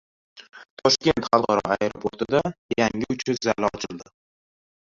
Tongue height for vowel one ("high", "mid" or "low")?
low